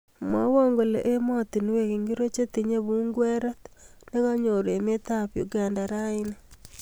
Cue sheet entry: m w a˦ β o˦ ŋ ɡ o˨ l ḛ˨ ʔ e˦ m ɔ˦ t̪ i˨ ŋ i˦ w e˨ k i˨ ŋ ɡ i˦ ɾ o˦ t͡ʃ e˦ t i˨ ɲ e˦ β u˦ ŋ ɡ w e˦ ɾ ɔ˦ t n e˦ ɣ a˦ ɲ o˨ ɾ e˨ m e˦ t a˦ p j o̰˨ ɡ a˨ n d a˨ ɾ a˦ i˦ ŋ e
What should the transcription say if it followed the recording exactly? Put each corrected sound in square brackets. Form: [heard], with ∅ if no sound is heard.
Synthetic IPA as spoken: m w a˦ [w] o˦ ŋ ɡ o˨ l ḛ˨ ʔ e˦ m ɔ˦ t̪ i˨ [n] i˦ w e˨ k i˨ ŋ ɡ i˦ ɾ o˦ t͡ʃ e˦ t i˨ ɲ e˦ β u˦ ŋ ɡ w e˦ ɾ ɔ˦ t n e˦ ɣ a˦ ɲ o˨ ɾ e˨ m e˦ t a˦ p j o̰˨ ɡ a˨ n d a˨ ɾ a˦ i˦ [n] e